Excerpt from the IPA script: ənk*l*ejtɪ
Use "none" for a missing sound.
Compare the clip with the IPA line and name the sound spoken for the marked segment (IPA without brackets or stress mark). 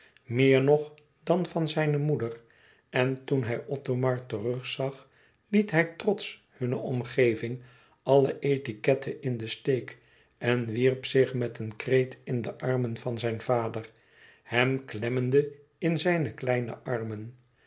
r